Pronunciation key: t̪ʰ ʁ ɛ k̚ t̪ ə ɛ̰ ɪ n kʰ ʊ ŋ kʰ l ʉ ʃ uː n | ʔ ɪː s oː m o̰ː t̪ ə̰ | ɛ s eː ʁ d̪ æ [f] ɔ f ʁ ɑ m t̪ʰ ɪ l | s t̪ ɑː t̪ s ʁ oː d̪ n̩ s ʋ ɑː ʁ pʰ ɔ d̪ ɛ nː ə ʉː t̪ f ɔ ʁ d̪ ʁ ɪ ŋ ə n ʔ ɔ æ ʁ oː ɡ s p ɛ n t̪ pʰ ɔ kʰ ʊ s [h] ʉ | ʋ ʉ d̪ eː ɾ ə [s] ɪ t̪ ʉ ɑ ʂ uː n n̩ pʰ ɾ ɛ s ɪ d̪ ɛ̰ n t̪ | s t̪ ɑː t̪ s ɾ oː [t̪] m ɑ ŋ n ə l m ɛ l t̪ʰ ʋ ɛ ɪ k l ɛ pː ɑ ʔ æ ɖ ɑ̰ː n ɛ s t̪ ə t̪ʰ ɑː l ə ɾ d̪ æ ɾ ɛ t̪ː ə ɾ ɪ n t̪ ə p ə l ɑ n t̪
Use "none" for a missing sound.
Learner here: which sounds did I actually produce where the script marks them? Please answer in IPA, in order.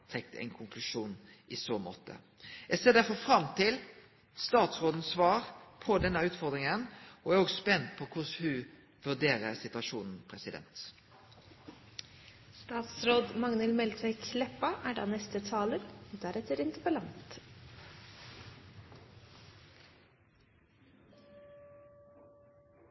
f, h, s, d̪

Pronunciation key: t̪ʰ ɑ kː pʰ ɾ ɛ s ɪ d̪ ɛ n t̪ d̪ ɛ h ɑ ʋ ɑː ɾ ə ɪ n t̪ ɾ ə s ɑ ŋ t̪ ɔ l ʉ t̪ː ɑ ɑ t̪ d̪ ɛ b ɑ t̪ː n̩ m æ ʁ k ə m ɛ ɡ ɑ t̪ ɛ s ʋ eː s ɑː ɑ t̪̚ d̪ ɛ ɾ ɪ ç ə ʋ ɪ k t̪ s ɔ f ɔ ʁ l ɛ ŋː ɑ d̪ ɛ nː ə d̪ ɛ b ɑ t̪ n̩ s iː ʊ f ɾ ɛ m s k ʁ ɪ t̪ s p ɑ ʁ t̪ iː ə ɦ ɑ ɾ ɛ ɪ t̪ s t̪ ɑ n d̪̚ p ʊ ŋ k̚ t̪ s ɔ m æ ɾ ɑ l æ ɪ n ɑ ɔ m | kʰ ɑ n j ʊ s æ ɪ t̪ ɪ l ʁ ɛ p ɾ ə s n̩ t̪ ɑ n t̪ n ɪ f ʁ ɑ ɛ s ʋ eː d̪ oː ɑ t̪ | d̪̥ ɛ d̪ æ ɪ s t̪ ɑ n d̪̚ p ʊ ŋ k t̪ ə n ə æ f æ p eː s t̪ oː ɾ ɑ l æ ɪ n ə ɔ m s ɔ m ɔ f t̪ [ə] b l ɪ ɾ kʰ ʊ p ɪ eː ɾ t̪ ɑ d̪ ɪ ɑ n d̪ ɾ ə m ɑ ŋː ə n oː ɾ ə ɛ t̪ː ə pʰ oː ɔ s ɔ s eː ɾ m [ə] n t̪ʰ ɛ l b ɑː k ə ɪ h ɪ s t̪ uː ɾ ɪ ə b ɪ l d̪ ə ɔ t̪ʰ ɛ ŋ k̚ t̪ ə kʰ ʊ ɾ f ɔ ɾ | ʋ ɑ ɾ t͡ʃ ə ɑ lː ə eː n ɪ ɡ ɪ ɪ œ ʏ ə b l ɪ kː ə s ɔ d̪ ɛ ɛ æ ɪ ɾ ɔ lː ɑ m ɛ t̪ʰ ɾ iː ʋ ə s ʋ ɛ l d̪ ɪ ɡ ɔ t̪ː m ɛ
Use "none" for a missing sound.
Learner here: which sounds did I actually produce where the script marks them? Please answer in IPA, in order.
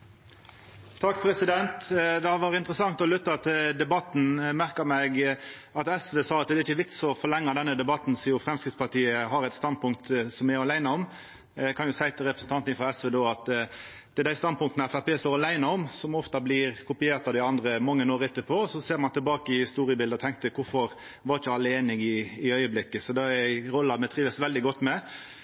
ɑ, ɑ

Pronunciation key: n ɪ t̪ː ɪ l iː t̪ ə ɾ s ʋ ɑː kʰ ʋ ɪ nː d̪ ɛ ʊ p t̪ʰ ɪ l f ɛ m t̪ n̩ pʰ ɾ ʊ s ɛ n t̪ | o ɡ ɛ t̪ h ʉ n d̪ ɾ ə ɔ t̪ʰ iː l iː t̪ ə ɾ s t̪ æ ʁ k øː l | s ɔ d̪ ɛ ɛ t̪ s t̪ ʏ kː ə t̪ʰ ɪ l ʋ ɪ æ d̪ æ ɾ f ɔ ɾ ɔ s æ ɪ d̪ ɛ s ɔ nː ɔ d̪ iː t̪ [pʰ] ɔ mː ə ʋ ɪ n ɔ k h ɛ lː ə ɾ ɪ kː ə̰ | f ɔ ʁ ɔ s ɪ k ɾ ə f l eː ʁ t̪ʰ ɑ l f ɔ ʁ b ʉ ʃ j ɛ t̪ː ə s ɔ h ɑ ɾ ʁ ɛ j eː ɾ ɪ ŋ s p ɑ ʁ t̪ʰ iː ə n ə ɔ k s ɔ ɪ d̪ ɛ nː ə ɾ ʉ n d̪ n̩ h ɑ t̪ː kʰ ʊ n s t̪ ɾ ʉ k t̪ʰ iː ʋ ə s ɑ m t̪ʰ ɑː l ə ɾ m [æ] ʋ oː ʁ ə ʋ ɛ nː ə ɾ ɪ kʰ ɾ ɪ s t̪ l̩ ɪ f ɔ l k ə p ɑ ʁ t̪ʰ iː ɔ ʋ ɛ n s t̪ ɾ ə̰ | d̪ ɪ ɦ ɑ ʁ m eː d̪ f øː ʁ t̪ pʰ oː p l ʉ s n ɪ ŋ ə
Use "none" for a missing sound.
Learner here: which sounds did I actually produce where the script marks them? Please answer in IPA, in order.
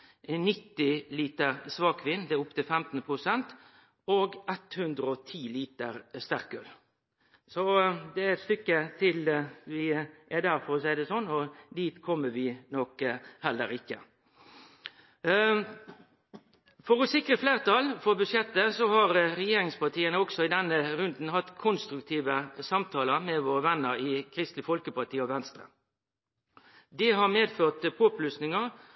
kʰ, ɛ

